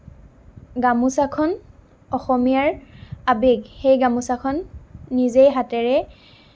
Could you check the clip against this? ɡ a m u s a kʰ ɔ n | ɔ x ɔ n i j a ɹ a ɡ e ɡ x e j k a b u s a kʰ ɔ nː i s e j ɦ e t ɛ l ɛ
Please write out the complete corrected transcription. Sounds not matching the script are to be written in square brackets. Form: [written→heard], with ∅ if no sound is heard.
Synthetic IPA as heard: ɡ a m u s a kʰ ɔ n | ɔ x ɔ [n→m] i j a ɹ a [ɡ→b] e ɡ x e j [k→ɡ] a [b→m] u s a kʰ ɔ nː i [s→z] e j ɦ [e→a] t ɛ [l→ɹ] ɛ